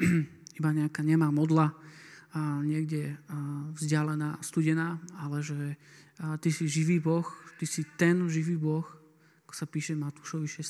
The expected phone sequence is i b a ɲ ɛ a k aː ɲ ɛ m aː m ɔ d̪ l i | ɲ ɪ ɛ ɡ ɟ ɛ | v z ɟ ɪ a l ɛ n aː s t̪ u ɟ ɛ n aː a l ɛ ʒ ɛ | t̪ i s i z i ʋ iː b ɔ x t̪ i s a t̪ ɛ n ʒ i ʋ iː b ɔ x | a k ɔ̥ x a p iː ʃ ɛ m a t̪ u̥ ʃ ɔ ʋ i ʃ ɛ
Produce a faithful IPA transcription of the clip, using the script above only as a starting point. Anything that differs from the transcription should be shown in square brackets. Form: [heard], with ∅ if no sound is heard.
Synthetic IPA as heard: i b a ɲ ɛ a k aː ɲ ɛ m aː m ɔ d̪ l [a] | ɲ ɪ ɛ ɡ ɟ ɛ | v z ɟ ɪ a l ɛ n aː s t̪ u ɟ ɛ n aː a l ɛ ʒ ɛ | t̪ i s i [ʒ] i ʋ iː b ɔ x t̪ i s [i] t̪ ɛ n ʒ i ʋ iː b ɔ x | a k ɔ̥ [s] a p iː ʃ ɛ m a t̪ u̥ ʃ ɔ ʋ i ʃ ɛ